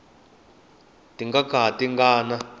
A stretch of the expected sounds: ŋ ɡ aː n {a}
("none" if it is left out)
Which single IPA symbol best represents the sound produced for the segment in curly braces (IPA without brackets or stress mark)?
a